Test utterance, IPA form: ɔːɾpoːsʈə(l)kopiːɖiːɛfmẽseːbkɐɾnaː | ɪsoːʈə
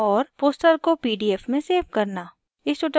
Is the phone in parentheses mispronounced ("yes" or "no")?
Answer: yes